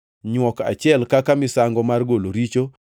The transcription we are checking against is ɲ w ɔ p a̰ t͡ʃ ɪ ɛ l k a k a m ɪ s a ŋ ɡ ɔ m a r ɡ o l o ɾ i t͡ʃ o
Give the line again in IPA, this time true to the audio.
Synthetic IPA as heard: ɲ w ɔ k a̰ t͡ʃ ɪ ɛ l k a k a m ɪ s a ŋ ɡ ɔ m a r ɡ o l o ɾ i t͡ʃ o